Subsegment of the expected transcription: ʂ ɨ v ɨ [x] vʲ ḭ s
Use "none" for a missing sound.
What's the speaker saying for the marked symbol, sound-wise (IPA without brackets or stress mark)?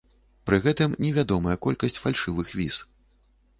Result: x